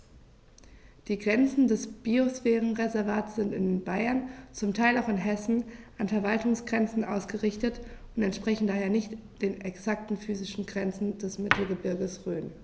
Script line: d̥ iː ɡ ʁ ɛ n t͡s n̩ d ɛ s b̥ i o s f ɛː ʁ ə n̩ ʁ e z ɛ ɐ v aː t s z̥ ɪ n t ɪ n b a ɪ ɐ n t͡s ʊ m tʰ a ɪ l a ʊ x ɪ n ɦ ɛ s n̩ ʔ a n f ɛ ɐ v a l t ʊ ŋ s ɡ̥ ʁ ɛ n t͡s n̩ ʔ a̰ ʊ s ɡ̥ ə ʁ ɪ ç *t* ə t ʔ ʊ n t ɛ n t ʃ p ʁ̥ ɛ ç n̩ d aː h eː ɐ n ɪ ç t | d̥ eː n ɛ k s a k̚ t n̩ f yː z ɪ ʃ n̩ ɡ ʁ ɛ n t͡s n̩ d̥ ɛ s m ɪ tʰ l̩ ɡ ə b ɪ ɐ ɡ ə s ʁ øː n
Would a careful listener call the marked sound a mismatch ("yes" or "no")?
no